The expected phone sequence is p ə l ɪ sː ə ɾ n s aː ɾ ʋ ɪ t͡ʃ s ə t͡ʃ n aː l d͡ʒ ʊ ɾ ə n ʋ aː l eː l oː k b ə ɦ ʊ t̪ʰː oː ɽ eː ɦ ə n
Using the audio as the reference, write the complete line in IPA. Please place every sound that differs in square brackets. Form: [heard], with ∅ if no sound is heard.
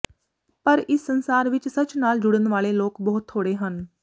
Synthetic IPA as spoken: p ə [ɾ] ɪ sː ə [∅] n s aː ɾ ʋ ɪ t͡ʃ s ə t͡ʃ n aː l d͡ʒ ʊ [ɽ] ə n ʋ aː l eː l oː k b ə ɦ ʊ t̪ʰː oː ɽ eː ɦ ə n